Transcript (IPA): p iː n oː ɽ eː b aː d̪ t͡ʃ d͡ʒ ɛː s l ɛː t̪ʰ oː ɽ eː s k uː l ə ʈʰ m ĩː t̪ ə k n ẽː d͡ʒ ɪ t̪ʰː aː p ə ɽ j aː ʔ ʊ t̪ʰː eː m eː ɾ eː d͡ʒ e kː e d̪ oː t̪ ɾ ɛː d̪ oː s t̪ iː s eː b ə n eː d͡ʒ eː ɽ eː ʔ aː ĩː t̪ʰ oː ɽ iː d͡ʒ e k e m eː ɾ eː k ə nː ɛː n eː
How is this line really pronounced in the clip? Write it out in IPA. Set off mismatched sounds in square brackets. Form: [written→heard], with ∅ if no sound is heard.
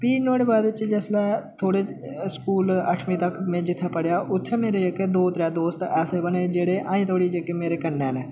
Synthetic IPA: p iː n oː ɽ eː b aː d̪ t͡ʃ d͡ʒ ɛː s l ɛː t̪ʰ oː ɽ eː s k uː l ə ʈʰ m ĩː t̪ ə k [n→m] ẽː d͡ʒ ɪ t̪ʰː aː p ə ɽ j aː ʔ ʊ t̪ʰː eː m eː ɾ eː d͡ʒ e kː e d̪ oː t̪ ɾ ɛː d̪ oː s t̪ [iː→ɛː] s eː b ə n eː d͡ʒ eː ɽ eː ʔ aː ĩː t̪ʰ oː ɽ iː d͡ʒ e k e m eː ɾ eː k ə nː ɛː n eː